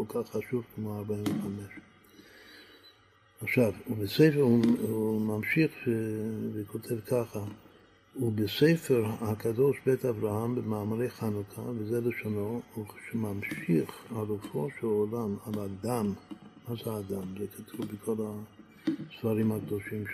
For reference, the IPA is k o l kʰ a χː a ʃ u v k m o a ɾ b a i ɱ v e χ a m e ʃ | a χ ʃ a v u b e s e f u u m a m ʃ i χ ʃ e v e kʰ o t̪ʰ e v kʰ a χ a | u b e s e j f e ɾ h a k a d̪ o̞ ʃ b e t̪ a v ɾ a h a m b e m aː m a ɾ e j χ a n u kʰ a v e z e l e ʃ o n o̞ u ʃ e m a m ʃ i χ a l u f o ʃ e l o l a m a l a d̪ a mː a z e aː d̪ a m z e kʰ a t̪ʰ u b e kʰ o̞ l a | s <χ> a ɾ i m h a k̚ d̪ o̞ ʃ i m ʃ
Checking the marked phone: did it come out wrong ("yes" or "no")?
yes